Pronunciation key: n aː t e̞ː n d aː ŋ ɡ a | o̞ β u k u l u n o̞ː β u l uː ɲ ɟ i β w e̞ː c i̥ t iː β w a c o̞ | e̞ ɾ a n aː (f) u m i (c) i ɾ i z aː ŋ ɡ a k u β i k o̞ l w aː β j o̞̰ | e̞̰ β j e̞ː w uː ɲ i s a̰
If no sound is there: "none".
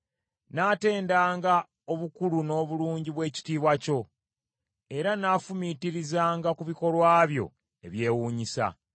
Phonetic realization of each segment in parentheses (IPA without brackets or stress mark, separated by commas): f, t